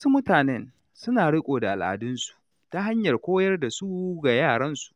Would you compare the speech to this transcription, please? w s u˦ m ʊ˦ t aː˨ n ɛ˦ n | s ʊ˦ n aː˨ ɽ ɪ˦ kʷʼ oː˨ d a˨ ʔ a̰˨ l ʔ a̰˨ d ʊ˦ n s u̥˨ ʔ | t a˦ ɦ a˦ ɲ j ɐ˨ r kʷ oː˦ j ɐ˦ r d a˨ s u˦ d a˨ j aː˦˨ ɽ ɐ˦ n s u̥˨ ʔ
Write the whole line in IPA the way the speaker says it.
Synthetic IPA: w s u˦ m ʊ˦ t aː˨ n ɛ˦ n | s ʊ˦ n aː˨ ɽ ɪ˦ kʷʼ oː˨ d a˨ ʔ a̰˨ l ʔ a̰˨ d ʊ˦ n s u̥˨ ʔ | t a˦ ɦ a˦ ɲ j ɐ˨ r kʷ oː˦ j ɐ˦ r d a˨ s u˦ ɡ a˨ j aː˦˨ ɽ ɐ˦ n s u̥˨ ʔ